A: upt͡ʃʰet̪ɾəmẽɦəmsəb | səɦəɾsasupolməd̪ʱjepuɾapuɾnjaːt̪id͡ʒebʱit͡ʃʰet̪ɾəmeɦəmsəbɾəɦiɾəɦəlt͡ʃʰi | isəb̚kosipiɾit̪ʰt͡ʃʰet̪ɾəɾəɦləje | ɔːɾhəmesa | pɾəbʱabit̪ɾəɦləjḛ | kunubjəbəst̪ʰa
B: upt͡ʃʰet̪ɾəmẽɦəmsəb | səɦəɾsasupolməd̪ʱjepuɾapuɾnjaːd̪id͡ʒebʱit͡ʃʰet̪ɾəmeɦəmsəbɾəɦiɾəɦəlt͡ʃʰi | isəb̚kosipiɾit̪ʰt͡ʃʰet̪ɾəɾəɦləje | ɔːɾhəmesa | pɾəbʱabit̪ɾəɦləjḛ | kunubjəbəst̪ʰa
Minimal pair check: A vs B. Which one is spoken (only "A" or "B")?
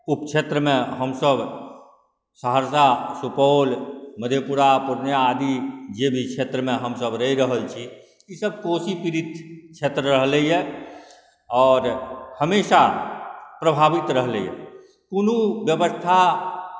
B